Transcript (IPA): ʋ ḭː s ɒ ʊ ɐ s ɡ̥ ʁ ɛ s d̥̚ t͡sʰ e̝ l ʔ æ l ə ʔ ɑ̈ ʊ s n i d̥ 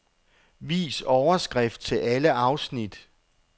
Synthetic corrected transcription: ʋ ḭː s ɒ ʊ ɐ s ɡ̥ ʁ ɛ f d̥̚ t͡sʰ e̝ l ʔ æ l ə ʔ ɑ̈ ʊ s n i d̥